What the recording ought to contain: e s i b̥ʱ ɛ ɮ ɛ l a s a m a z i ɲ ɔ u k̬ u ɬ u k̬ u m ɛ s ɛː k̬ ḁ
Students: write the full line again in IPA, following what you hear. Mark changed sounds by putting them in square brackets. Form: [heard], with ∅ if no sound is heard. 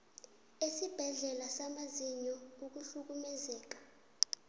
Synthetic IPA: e s i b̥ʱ ɛ ɮ ɛ l a s a m a z i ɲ ɔ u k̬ u ɬ u k̬ u m ɛ [z] ɛː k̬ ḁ